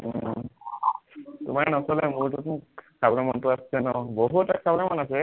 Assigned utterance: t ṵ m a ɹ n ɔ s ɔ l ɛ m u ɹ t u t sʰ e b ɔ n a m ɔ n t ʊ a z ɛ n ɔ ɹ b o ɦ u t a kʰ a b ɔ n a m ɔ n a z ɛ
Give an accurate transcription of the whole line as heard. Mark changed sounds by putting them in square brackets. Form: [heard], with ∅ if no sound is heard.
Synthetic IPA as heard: t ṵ m a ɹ n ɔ s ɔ l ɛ m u ɹ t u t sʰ [a] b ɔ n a m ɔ n t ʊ a [s] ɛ n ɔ [∅] b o ɦ u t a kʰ a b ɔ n a m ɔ n a [s] ɛ